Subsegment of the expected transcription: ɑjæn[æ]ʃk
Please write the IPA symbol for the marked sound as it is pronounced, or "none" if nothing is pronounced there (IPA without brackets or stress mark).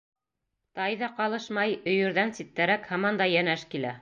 æ